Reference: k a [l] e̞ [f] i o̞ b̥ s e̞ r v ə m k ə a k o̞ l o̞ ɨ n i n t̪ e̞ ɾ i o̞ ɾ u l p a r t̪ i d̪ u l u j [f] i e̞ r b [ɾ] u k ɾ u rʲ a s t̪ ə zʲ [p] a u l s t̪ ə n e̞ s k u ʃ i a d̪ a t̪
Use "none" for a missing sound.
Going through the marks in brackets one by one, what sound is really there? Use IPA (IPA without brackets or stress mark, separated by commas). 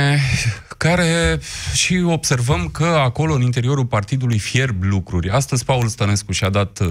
ɾ, ʃ, f, l, p